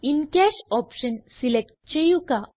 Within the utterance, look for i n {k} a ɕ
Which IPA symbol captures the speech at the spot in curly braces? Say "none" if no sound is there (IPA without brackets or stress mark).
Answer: k